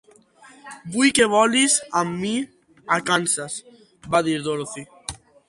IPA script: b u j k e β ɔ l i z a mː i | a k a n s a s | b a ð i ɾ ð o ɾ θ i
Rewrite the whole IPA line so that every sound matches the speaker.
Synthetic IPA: b u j k e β ɔ l i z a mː i | a k a n s a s | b a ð i ɾ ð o ɾ θ i